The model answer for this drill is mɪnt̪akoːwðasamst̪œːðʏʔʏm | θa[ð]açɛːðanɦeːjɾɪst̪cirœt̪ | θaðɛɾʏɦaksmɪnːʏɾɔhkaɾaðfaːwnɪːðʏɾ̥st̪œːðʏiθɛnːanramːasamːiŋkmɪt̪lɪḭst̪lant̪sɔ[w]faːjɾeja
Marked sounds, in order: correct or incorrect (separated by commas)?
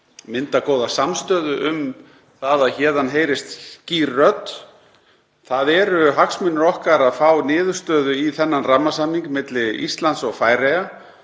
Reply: correct, incorrect